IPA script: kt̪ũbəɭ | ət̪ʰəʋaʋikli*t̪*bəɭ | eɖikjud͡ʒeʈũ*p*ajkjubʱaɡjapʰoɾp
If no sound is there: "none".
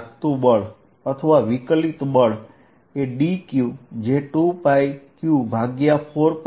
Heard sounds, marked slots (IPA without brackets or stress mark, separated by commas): t̪, p